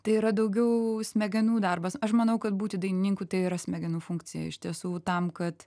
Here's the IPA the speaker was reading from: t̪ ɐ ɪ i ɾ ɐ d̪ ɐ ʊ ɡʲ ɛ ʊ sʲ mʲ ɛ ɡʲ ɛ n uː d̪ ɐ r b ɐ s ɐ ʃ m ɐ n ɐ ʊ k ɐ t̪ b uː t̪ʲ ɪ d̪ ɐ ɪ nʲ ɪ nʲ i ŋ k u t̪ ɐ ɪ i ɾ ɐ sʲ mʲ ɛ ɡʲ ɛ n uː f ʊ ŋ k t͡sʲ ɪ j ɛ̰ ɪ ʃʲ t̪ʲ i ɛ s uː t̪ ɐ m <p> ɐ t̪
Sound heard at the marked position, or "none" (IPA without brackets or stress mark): k